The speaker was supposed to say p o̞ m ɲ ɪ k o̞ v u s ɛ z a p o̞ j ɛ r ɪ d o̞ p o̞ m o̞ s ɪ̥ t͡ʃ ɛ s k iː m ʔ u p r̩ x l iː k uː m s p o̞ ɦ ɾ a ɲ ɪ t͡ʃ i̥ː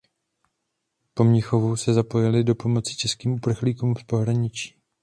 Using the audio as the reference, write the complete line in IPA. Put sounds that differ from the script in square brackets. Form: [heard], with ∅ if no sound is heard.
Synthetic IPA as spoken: p o̞ m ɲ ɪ [x] o̞ v u s ɛ z a p o̞ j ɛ [l] ɪ d o̞ p o̞ m o̞ [t͡s] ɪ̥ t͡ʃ ɛ s k iː m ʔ u p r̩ x l iː k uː m [f] p o̞ ɦ ɾ a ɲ ɪ t͡ʃ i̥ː